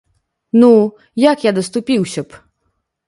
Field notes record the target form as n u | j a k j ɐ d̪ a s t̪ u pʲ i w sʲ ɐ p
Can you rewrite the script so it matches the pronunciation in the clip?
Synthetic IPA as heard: n u | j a k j a d̪ ɐ s t̪ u pʲ i w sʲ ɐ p